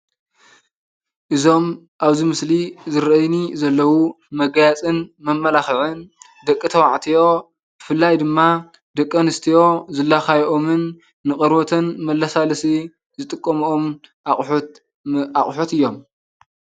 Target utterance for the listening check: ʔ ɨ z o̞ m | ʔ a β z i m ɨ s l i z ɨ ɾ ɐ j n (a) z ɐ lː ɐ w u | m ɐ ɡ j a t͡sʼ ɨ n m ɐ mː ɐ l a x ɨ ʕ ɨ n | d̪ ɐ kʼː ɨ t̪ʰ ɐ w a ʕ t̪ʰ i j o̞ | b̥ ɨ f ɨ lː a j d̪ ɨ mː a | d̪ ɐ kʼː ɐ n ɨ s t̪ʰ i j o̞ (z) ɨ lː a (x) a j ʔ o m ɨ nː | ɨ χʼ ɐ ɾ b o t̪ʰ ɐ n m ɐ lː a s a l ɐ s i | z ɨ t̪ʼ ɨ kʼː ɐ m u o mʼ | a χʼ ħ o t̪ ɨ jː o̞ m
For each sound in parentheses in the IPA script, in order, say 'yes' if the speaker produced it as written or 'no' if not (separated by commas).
no, yes, yes